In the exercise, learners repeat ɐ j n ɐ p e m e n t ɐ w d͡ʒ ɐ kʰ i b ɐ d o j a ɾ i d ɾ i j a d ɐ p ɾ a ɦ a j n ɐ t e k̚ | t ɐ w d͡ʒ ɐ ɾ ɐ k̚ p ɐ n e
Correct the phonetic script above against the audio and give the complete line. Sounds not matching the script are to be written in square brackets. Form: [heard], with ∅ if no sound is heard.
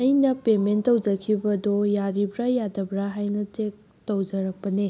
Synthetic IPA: ɐ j n ɐ p e m e n t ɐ w d͡ʒ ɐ kʰ i b ɐ d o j a ɾ i [b] ɾ [a] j a d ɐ [b] ɾ a ɦ a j n ɐ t e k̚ | t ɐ w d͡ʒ ɐ ɾ ɐ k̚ p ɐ n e